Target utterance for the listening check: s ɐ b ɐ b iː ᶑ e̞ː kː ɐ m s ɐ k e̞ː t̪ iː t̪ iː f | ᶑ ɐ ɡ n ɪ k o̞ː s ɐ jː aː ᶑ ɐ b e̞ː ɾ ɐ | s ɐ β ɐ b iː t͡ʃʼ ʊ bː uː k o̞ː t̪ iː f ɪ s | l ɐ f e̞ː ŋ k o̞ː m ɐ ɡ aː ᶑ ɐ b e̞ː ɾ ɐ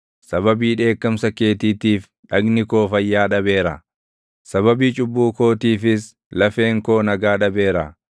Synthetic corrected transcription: s ɐ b ɐ b iː ᶑ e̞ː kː ɐ m s ɐ k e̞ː t̪ iː t̪ iː f | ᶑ ɐ ɡ n ɪ k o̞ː f ɐ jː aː ᶑ ɐ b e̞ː ɾ ɐ | s ɐ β ɐ b iː t͡ʃʼ ʊ bː uː k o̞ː t̪ iː f ɪ s | l ɐ f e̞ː ŋ k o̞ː n ɐ ɡ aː ᶑ ɐ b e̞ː ɾ ɐ